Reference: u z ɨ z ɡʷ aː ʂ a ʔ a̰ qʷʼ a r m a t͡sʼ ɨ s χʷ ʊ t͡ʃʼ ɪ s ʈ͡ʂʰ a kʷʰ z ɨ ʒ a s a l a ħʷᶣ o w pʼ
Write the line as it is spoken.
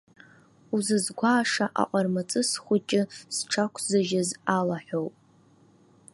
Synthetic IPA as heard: u z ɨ z ɡʷ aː ʂ a ʔ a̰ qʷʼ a r m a t͡sʼ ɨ s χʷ ʊ t͡ʃʼ ɪ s ʈ͡ʂʰ a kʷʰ z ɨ ʒ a z a l a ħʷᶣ o w pʼ

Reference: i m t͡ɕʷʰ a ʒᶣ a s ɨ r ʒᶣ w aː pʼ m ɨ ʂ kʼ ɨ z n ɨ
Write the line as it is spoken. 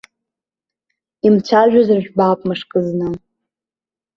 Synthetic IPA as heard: i m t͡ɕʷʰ a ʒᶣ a z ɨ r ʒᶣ b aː pʼ m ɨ ʂ kʼ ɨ z n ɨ

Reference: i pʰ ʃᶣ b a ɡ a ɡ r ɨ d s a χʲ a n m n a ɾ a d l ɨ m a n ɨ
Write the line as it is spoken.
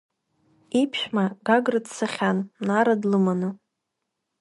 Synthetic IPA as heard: i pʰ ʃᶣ m a ɡ a ɡ r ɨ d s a χʲ a n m n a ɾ a d l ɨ m a n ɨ

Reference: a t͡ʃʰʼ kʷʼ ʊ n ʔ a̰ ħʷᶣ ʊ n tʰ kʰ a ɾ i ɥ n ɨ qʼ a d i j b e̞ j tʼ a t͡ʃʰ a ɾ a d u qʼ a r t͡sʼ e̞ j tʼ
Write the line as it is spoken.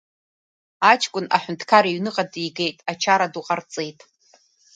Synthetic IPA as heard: a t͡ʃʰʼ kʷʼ ʊ n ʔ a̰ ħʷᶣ ʊ n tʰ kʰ a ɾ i ɥ n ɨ qʼ a d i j ɡ e̞ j tʼ a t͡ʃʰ a ɾ a d u qʼ a r t͡sʼ e̞ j tʼ

